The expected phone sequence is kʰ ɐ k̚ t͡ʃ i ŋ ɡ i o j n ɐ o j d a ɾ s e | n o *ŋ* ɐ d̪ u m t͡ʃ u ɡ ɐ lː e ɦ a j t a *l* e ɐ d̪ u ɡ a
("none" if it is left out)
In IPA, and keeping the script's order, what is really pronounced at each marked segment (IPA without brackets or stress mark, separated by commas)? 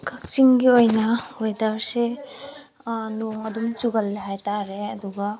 ŋ, ɾ